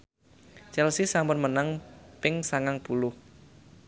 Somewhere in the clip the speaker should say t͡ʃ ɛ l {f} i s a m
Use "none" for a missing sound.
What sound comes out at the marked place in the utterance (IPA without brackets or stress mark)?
s